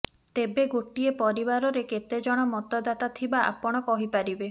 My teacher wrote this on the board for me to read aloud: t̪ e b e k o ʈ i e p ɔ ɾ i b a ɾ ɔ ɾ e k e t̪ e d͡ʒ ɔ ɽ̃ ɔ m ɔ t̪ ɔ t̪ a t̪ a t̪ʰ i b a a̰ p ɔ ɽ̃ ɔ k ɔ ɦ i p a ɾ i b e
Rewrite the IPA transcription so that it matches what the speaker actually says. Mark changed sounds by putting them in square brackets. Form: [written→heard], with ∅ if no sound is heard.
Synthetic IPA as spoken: t̪ e b e [k→ɡ] o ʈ i e p ɔ ɾ i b a ɾ ɔ ɾ e k e t̪ e d͡ʒ ɔ ɽ̃ ɔ m ɔ t̪ ɔ [t̪→d̪] a t̪ a t̪ʰ i b a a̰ p ɔ ɽ̃ ɔ k ɔ ɦ i p a ɾ i b e